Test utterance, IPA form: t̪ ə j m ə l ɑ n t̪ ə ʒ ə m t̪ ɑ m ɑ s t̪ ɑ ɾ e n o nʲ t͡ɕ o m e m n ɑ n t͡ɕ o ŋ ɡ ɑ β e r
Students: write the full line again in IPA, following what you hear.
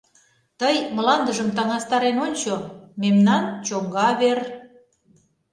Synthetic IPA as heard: t̪ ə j m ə l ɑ n d̪ ə ʒ ə m t̪ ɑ ŋ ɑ s t̪ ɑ ɾ e n o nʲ t͡ɕ o m e m n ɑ n t͡ɕ o ŋ ɡ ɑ β e r